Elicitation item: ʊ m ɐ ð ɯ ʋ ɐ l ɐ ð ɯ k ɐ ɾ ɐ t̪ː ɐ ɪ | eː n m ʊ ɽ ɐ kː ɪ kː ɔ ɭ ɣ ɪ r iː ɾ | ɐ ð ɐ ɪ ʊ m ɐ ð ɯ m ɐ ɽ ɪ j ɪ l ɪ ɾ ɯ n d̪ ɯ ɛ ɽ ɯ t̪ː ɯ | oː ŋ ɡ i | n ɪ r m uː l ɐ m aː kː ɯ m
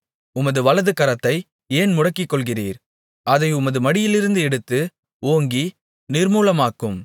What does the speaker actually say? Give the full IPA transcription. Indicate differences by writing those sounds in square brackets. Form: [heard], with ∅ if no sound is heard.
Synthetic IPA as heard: ʊ m ɐ ð ɯ ʋ ɐ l ɐ ð ɯ k ɐ ɾ ɐ t̪ː ɐ ɪ | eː n m ʊ ɽ ɐ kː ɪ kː ɔ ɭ ɣ ɪ r iː ɾ | ɐ ð ɐ ɪ ʊ m ɐ ð ɯ m ɐ ɽ ɪ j ɪ l ɪ ɾ ɯ n d̪ ɯ ɛ ɽ ɯ t̪ː ɯ | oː ŋ ɡ i | n ɪ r m uː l ɐ m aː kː ɯ m